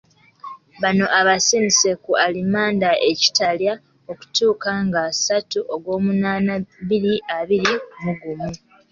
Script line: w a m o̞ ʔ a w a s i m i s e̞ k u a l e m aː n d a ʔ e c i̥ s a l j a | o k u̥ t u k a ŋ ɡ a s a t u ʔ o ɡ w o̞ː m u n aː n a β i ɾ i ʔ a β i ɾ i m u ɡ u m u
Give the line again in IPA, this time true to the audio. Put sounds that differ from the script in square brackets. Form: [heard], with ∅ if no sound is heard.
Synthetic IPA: [β] a [n] o̞ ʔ a [β] a s i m i s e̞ k u a l [i] m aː n d a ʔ e c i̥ [t] a l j a | o k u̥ t [uː] k a ŋ ɡ a s a t u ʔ o ɡ w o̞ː m u n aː n a β i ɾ i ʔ a β i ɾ i m u ɡ u m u